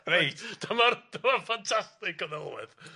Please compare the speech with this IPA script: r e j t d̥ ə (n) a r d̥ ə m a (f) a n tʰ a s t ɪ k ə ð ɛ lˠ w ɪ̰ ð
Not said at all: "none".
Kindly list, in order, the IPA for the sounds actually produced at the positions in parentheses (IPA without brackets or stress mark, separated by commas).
m, f